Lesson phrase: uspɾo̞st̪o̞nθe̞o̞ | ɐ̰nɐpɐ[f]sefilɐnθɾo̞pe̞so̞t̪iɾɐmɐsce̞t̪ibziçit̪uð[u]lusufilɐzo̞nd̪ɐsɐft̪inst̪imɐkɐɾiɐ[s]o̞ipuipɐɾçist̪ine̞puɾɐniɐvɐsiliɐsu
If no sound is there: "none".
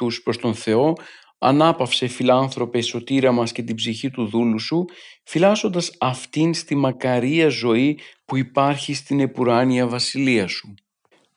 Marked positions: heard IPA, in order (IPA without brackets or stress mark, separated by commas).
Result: f, u, z